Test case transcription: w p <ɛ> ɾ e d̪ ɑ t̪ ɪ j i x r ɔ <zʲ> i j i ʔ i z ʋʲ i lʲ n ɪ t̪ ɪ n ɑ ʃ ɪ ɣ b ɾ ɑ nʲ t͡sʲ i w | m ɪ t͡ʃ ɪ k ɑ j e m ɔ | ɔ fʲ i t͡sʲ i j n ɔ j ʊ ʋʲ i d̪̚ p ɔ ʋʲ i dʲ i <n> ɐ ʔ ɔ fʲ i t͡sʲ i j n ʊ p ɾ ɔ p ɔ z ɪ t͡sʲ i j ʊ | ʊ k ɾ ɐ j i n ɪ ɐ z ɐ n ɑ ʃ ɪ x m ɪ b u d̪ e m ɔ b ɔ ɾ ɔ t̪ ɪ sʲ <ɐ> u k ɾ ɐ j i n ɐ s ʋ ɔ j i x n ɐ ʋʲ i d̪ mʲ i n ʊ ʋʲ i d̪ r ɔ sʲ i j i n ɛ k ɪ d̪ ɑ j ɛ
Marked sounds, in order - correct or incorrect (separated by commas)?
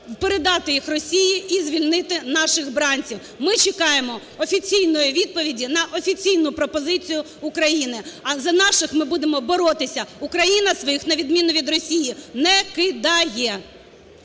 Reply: incorrect, incorrect, correct, correct